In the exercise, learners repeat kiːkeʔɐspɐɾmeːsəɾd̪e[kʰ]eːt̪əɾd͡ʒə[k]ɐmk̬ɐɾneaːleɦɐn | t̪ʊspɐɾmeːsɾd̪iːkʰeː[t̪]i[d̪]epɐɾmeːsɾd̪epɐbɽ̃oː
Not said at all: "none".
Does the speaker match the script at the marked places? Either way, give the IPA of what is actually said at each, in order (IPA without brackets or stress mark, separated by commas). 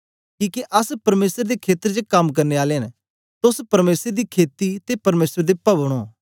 kʰ, k, t̪, t̪